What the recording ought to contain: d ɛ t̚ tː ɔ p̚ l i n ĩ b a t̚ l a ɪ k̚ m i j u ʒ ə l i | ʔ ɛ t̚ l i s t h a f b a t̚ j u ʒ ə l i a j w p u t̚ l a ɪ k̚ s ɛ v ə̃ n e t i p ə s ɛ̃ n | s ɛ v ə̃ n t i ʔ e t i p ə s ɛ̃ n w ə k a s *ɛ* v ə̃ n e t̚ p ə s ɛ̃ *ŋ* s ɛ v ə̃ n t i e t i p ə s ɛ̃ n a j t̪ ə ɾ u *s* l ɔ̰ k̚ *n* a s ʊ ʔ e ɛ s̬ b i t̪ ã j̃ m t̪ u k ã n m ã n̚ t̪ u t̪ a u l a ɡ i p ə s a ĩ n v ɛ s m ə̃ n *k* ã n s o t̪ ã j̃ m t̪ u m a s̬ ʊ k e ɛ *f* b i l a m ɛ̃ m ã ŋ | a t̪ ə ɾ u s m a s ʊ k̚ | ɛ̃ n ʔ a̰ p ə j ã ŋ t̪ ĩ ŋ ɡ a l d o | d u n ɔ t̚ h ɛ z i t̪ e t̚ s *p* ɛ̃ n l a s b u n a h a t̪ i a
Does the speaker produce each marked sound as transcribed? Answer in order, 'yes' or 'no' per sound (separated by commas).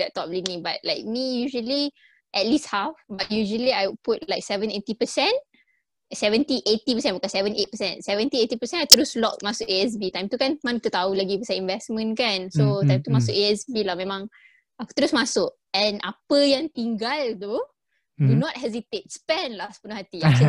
yes, no, yes, no, yes, no, yes